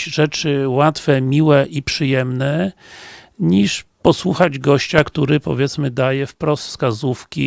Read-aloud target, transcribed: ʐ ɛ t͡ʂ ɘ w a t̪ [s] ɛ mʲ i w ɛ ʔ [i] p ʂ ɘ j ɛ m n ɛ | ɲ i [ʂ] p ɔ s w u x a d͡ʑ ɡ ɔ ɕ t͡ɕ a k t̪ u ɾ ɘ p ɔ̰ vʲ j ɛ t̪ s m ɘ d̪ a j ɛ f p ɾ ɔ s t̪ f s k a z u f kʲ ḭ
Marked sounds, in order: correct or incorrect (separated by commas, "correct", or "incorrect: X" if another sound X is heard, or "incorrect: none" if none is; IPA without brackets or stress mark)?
incorrect: f, correct, correct